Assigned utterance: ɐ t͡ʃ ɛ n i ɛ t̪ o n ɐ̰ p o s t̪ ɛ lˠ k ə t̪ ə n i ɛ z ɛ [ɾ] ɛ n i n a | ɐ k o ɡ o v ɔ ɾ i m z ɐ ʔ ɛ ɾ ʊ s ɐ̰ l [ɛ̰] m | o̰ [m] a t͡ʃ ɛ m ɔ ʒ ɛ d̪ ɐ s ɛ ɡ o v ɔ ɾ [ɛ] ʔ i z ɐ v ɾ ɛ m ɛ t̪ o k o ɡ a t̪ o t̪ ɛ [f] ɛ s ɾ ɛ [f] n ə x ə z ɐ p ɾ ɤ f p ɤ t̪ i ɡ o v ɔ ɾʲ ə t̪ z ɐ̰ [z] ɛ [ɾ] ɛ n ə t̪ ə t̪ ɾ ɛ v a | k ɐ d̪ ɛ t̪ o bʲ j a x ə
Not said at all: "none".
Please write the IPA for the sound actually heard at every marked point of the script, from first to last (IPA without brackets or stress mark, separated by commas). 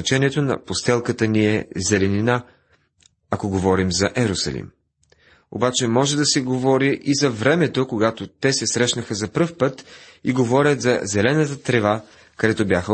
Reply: l, ḭ, b, i, s, ʃ, z, l